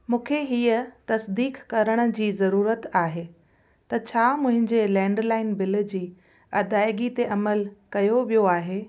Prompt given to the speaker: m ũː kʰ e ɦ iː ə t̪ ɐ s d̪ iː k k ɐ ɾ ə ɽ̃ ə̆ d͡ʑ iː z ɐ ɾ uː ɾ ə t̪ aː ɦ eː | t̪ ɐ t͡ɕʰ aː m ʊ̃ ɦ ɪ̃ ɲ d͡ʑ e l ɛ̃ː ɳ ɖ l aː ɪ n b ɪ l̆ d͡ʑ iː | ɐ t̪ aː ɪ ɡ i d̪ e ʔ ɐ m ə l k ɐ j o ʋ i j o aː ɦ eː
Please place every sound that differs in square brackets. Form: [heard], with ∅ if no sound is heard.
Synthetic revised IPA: m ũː kʰ e ɦ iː ə t̪ ɐ s d̪ iː k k ɐ ɾ ə ɽ̃ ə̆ d͡ʑ iː z ɐ ɾ uː ɾ ə t̪ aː ɦ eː | t̪ ɐ t͡ɕʰ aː m ʊ̃ ɦ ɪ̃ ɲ d͡ʑ e l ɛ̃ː ɳ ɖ l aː ɪ n b ɪ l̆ d͡ʑ iː | ɐ [d̪] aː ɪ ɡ i [t̪] e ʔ ɐ m ə l k ɐ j o ʋ i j o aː ɦ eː